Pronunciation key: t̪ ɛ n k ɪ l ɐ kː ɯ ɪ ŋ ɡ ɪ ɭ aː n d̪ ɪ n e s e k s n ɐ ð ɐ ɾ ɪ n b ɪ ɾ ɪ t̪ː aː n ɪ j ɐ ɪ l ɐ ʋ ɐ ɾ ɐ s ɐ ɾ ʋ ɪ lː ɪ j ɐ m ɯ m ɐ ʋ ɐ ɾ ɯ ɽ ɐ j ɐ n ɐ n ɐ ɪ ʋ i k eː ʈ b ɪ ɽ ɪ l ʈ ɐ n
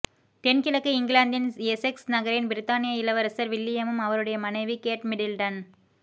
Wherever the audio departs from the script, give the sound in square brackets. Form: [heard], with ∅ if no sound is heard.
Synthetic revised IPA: t̪ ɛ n k ɪ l ɐ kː ɯ ɪ ŋ ɡ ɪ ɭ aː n d̪ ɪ n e s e k s n ɐ [ɣ] ɐ ɾ ɪ n b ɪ ɾ ɪ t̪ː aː n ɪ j ɐ ɪ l ɐ ʋ ɐ ɾ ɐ s ɐ ɾ ʋ ɪ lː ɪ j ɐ m ɯ m ɐ ʋ ɐ ɾ ɯ ɽ ɐ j ɐ [m] ɐ n ɐ ɪ ʋ i k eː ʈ [m] ɪ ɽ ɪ l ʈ ɐ n